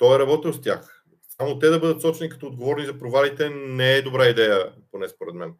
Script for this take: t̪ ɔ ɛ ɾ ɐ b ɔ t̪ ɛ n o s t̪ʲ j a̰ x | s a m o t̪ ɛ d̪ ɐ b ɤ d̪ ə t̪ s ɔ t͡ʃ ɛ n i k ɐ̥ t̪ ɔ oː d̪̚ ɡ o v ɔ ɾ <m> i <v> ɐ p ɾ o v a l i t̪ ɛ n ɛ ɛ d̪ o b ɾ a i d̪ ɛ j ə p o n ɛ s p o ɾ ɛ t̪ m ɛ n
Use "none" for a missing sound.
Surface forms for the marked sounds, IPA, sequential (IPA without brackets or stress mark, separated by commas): n, z